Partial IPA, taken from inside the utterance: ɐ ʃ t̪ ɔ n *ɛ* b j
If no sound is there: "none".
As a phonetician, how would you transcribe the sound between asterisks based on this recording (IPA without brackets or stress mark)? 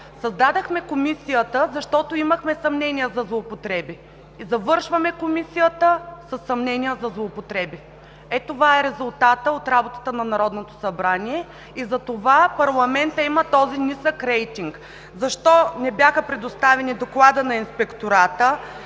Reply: ɛ